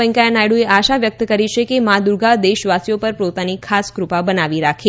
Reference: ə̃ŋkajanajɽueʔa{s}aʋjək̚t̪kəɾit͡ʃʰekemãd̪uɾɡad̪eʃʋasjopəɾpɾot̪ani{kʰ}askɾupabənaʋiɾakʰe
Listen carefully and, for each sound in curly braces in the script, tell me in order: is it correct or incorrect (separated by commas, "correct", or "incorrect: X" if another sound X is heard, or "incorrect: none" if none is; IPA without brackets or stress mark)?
incorrect: ʃ, correct